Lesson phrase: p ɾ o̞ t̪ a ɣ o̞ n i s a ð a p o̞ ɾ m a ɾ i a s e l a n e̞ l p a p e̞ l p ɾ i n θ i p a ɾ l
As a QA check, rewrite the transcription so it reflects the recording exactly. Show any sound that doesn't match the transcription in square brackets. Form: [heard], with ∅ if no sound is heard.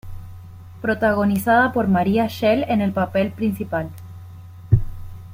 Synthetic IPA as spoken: p ɾ o̞ t̪ a ɣ o̞ n i s a ð a p o̞ ɾ m a ɾ i a [ʃ] e l [e] n e̞ l p a p e̞ l p ɾ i n [s] i p a [∅] l